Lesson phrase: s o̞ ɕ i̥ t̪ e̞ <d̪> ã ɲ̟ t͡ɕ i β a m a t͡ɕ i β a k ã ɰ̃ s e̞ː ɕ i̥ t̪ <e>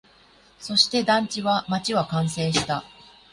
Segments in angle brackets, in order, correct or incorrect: correct, incorrect: a

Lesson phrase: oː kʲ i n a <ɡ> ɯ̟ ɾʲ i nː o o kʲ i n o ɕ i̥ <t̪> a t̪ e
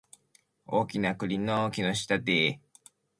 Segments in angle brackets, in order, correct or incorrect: incorrect: k, correct

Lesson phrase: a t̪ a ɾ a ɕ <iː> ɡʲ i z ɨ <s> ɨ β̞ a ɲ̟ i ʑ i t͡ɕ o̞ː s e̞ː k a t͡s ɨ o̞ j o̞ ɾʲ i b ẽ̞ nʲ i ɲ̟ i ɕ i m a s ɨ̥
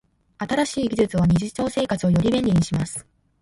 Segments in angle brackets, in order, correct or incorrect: correct, incorrect: t͡s

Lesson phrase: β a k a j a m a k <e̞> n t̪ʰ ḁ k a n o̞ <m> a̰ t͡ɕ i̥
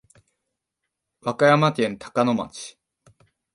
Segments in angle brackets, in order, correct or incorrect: incorrect: ẽ̞, correct

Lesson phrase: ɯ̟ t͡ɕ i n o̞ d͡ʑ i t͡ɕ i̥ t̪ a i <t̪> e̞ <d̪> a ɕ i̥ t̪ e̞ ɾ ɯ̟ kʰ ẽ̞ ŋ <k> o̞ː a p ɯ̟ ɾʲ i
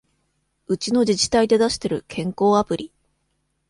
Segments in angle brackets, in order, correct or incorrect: incorrect: d̪, correct, correct

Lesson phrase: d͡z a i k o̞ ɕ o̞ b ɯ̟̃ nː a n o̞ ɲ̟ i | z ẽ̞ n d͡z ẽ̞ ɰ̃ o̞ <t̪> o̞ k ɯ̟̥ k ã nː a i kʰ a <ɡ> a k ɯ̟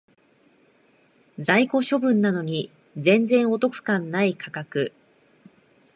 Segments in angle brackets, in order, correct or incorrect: correct, incorrect: k

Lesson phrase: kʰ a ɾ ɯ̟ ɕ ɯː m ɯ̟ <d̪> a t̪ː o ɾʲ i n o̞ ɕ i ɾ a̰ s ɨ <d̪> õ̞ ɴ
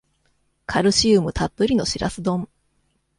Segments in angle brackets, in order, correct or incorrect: incorrect: t̪, correct

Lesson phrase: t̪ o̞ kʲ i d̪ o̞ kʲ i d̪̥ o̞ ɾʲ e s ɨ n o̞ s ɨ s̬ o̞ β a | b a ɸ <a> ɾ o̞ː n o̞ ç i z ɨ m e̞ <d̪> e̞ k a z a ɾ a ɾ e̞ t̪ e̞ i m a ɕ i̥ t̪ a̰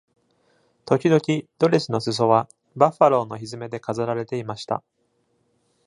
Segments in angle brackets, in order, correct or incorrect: correct, correct

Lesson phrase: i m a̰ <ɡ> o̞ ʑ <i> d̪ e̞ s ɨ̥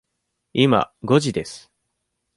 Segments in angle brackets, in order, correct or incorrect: correct, correct

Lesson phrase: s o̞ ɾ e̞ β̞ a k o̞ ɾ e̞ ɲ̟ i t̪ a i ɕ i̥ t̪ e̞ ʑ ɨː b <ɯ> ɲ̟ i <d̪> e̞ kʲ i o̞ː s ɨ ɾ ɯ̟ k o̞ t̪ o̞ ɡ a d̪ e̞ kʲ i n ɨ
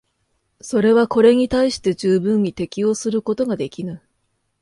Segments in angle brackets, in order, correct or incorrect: incorrect: ɯ̃, incorrect: t̪

